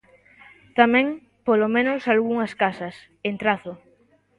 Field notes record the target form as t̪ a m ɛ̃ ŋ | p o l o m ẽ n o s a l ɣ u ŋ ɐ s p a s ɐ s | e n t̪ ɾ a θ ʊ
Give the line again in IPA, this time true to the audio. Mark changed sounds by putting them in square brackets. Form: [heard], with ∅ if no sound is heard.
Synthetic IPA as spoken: t̪ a m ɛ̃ ŋ | p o l o m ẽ n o s a l ɣ u ŋ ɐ s [k] a s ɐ s | e n t̪ ɾ a θ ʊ